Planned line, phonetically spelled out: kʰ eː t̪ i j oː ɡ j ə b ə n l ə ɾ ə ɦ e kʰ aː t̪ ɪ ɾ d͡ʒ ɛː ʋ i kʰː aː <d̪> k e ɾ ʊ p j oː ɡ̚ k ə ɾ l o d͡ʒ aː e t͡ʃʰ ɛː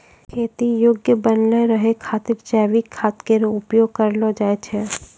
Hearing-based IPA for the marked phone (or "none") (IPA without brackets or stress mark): t̪